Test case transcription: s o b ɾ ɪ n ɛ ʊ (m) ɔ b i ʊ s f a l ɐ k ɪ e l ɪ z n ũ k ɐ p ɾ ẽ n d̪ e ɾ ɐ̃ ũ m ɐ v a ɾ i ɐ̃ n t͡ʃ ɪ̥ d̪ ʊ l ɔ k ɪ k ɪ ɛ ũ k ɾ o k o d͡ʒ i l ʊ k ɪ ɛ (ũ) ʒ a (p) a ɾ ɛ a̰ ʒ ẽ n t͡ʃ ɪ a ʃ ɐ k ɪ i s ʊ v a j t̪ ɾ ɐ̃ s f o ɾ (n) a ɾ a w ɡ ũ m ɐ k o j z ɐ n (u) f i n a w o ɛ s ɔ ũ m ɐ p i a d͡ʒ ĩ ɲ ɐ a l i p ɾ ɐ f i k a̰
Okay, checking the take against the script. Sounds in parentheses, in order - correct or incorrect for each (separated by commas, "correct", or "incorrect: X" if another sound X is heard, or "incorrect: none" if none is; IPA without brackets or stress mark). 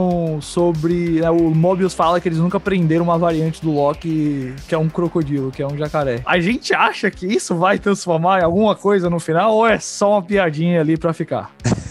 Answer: correct, correct, incorrect: k, incorrect: m, incorrect: ʊ